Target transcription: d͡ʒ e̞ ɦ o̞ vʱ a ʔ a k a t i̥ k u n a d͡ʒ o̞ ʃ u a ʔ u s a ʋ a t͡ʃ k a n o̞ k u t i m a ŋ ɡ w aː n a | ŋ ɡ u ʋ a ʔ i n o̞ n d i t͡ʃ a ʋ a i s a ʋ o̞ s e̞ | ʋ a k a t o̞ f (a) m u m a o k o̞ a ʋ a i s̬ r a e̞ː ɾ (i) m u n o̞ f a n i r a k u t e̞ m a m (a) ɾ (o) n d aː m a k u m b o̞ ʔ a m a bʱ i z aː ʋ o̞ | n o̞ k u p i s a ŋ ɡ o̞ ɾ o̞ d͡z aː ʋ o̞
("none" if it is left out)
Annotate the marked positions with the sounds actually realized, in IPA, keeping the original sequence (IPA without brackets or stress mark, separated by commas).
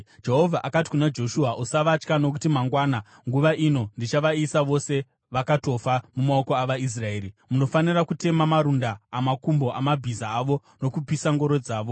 a, i, a, u